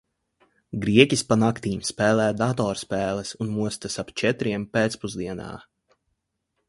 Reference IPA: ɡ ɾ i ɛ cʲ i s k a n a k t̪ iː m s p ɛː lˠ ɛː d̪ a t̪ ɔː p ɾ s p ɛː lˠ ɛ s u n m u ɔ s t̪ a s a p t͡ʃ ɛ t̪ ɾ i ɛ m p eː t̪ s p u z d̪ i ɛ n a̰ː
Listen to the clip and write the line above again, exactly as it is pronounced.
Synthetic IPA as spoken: ɡ ɾ i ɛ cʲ i s p a n a k t̪ iː m s p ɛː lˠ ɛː d̪ a t̪ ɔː ɾ s p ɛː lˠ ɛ s u n m u ɔ s t̪ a s a p t͡ʃ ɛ t̪ ɾ i ɛ m p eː t̪ s p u z d̪ i ɛ n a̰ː